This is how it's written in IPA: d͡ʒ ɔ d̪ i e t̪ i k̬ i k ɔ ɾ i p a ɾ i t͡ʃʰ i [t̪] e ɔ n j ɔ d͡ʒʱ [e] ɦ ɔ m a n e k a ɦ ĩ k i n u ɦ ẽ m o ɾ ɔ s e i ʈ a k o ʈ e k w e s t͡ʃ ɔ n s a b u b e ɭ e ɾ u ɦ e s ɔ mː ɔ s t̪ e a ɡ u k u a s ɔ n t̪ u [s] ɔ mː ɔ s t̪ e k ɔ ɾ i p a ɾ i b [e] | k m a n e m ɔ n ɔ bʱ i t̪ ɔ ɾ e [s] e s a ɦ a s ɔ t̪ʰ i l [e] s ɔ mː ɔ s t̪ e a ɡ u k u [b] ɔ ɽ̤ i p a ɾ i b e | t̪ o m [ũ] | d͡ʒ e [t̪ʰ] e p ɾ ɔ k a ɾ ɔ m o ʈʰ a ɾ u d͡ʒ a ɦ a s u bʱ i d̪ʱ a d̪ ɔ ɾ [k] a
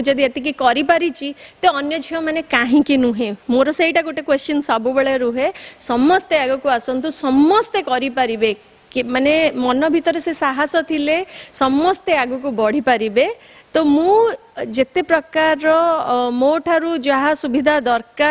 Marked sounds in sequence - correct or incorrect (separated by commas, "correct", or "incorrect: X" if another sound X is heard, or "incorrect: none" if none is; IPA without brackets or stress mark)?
correct, incorrect: i, correct, correct, correct, correct, correct, correct, incorrect: t̪, correct